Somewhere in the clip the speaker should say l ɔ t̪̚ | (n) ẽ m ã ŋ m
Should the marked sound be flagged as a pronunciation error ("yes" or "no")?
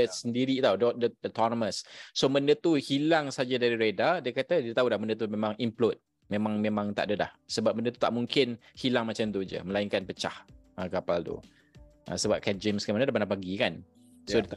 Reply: yes